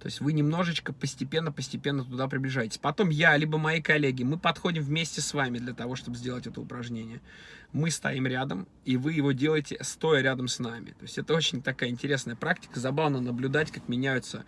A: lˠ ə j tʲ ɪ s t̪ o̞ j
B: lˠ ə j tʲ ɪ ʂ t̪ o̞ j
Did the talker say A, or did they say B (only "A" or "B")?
A